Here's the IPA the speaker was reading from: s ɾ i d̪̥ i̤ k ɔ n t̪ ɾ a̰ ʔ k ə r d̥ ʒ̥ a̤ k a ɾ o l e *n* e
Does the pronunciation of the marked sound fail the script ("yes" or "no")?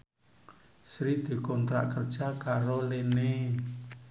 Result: no